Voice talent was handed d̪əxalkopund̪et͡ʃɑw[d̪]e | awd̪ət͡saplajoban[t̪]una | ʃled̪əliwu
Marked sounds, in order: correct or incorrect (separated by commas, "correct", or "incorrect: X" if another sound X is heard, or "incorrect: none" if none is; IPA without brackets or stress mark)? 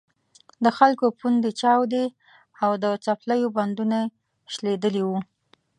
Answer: correct, incorrect: d̪